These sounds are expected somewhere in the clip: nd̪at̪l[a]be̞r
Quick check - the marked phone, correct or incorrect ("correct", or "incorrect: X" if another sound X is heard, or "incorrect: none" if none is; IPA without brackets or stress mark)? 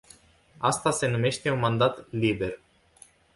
incorrect: i